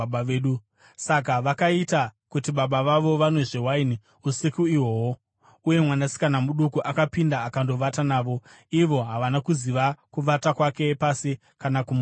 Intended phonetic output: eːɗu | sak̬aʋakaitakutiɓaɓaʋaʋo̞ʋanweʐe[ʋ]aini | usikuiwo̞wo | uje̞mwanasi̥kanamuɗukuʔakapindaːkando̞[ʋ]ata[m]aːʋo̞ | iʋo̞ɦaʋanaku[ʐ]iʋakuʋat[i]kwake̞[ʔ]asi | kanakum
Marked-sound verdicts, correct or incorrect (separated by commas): incorrect, correct, incorrect, incorrect, incorrect, incorrect